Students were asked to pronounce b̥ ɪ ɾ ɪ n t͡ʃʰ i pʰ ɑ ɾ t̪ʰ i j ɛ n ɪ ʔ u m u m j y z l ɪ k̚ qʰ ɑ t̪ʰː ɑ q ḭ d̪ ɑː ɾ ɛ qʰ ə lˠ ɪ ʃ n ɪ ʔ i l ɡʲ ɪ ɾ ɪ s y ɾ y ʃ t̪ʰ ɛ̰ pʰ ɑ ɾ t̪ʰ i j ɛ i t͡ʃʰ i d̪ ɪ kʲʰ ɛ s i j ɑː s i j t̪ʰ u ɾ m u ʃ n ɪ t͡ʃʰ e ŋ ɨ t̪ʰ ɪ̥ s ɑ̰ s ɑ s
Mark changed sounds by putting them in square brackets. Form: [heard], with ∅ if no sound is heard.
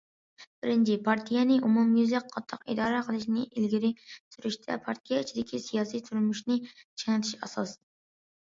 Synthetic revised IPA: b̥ ɪ ɾ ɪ n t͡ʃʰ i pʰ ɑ ɾ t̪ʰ i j ɛ n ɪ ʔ u m u m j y z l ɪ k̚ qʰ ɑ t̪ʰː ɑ q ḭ d̪ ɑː ɾ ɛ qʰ ə lˠ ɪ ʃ n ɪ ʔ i l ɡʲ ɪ ɾ ɪ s y ɾ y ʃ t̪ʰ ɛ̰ pʰ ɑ ɾ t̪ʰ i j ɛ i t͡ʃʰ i d̪ ɪ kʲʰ [i] s i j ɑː s i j t̪ʰ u ɾ m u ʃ n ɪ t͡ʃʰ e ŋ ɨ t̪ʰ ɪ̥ [ʃ] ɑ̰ s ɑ s